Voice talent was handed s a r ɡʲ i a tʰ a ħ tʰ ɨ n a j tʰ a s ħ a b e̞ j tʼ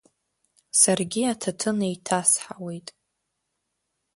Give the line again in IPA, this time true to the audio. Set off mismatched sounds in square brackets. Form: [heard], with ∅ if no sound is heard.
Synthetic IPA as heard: s a r ɡʲ i a tʰ a [∅] tʰ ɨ n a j tʰ a s ħ a [w] e̞ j tʼ